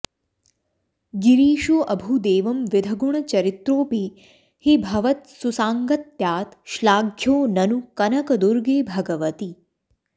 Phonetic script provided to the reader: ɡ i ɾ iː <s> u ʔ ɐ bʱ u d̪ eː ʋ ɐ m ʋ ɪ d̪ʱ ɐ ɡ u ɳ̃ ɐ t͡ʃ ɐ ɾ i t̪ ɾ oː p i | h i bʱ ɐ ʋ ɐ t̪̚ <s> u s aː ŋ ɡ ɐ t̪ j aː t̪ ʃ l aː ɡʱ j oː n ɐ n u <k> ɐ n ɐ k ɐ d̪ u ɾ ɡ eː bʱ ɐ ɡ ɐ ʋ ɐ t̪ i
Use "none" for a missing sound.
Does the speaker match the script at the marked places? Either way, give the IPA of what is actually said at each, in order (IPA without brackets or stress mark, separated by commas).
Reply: ʃ, s, k